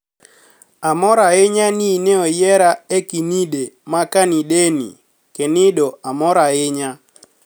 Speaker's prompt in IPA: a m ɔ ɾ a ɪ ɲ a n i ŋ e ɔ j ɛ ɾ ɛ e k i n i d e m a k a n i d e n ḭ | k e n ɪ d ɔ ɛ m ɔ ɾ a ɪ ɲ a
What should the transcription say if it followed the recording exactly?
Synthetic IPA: a m ɔ ɾ a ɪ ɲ a n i n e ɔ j ɛ ɾ a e k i n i d e m a k a n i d e n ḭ | k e n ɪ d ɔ a m ɔ ɾ a ɪ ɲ a